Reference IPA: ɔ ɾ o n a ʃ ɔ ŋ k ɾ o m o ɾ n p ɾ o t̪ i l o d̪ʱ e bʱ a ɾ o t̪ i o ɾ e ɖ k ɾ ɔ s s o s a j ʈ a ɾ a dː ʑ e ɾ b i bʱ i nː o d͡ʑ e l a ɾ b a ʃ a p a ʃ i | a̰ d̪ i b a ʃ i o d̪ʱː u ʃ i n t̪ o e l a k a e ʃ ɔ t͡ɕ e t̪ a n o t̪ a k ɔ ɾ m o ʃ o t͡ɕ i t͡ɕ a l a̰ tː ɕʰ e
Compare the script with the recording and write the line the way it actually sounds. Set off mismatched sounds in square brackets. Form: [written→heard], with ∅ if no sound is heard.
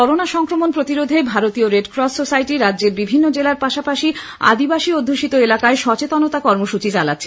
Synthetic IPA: ɔ ɾ o n a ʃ ɔ ŋ k ɾ o m o [ɾ→∅] n p ɾ o t̪ i [l→ɾ] o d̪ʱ e bʱ a ɾ o t̪ i o ɾ e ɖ k ɾ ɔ s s o s a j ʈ [a→i] ɾ a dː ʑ e ɾ b i bʱ i nː o d͡ʑ e l a ɾ [b→p] a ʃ a p a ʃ i | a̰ d̪ i b a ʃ i o d̪ʱː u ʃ i [n→∅] t̪ o e l a k a e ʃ ɔ t͡ɕ e t̪ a n o t̪ a k ɔ ɾ m o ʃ [o→u] t͡ɕ i t͡ɕ a l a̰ tː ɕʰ e